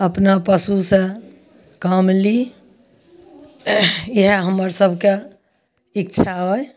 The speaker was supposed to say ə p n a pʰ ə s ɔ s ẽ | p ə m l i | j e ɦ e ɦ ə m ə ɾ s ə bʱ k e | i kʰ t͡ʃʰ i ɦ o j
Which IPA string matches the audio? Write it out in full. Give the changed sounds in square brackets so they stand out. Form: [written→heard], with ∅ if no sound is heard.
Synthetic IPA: ə p n a [pʰ→p] ə s [ɔ→u] s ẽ | [p→k] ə m l i | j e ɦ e ɦ ə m ə ɾ s ə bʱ k e | i [kʰ→k] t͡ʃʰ [i→a] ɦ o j